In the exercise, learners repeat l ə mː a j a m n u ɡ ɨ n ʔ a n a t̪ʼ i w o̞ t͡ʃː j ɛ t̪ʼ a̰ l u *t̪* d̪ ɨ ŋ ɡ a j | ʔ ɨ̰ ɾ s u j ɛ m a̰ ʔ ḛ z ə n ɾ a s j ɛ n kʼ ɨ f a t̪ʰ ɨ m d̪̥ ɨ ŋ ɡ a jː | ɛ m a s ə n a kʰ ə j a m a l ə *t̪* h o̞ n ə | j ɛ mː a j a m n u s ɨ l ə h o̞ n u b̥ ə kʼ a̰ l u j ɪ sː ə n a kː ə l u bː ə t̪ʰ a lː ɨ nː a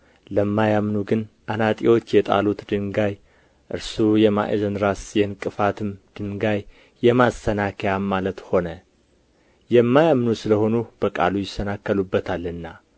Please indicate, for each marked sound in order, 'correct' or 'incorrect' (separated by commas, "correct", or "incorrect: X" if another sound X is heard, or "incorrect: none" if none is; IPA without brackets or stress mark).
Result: correct, correct